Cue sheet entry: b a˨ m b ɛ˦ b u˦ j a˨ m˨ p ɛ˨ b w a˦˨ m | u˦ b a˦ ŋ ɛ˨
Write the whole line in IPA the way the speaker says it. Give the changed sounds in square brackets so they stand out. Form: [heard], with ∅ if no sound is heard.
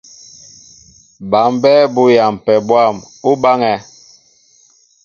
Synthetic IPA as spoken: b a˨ m b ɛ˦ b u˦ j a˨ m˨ p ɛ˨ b w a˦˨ m | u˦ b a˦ ŋ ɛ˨